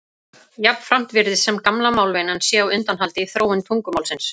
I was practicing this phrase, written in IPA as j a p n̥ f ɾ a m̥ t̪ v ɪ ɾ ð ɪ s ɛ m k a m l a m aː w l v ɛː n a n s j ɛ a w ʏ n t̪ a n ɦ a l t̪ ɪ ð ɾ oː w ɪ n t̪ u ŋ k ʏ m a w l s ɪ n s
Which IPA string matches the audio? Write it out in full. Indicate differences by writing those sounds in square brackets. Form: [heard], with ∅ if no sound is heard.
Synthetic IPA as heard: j a p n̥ f ɾ a m̥ t̪ v ɪ ɾ ð ɪ s ɛ m k a m l a m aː w l v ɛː n a n s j ɛ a w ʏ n t̪ a n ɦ a l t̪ ɪ [θ] ɾ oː w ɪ n [t̪ʰ] u ŋ k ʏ m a w l s ɪ n s